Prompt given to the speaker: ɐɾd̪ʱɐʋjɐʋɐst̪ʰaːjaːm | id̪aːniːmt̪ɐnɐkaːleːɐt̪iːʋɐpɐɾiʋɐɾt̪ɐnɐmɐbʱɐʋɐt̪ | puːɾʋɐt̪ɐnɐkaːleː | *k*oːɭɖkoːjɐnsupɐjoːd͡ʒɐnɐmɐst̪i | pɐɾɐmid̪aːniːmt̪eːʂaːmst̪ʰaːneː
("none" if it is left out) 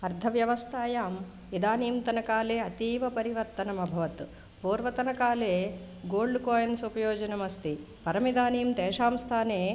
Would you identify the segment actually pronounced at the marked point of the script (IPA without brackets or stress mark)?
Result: ɡ